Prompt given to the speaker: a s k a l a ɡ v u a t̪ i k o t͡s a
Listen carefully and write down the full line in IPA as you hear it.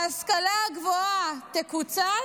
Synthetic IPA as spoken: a s k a l a ɡ v o a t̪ e k u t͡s a